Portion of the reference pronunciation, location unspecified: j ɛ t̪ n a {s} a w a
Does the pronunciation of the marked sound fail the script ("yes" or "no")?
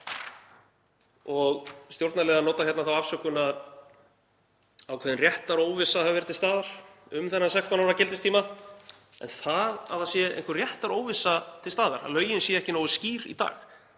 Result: yes